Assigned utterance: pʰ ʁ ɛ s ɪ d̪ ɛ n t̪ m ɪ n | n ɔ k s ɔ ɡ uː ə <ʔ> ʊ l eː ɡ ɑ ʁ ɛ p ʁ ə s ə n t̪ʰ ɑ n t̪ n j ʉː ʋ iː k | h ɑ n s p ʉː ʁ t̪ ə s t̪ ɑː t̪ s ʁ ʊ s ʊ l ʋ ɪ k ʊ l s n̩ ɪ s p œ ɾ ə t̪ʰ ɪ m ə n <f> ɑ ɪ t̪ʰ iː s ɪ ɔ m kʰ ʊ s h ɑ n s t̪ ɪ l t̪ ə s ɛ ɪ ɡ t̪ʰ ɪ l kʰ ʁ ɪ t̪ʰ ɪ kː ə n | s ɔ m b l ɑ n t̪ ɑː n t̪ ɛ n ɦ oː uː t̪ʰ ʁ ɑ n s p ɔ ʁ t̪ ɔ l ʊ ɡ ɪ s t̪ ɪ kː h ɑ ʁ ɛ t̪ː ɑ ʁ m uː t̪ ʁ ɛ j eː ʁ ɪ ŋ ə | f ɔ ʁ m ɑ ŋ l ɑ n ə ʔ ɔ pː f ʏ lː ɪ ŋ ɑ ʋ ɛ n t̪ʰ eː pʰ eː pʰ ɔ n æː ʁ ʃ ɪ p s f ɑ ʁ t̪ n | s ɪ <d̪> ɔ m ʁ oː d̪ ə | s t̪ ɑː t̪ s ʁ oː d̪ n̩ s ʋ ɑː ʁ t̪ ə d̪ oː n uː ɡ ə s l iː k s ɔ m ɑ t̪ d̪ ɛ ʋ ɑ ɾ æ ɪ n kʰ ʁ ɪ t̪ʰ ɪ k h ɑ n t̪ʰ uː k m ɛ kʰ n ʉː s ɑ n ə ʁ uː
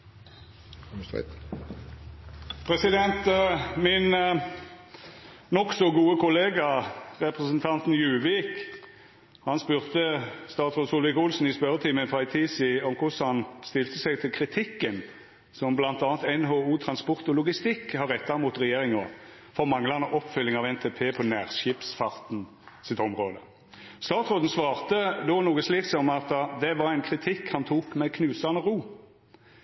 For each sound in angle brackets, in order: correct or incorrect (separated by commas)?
incorrect, correct, incorrect